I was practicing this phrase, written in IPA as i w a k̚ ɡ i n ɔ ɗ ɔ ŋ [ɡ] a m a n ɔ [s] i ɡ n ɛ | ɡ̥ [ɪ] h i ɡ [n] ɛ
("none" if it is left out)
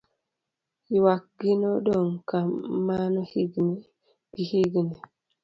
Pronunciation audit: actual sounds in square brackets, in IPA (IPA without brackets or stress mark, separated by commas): k, h, i, n